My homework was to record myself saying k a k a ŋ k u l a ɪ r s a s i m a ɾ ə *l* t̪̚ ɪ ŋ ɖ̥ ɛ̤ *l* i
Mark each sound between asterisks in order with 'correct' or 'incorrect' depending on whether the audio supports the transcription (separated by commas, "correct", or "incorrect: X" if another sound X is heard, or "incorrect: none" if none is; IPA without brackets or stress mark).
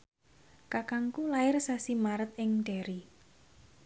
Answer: incorrect: none, incorrect: ɾ